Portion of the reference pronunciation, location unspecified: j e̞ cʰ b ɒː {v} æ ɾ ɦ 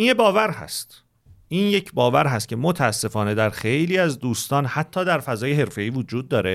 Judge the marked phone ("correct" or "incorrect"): correct